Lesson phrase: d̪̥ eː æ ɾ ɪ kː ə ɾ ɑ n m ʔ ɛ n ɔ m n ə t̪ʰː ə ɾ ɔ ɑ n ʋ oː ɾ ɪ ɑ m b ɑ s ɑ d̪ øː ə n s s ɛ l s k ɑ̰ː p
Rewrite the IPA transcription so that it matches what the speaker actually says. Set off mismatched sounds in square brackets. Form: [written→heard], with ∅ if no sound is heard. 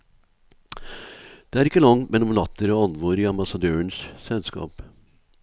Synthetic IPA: d̪̥ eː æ ɾ ɪ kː ə [ɾ→l] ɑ [n→ŋ] m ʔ ɛ n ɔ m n [ə→ɑ] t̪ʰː ə ɾ ɔ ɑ n ʋ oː ɾ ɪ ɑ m b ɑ s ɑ d̪ øː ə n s s ɛ l s k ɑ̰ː p